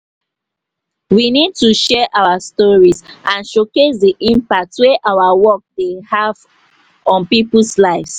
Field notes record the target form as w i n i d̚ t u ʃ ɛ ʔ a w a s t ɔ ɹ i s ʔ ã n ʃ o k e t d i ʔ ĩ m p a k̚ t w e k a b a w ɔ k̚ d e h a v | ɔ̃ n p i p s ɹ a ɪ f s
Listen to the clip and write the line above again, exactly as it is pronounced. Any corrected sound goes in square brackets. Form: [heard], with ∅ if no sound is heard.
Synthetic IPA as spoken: w i n i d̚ t u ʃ ɛ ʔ a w a s t ɔ ɹ i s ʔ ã n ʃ o k e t d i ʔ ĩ m p a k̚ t w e [ʔ] a [w] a w ɔ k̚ d e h a v | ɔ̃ n p i p s [l] a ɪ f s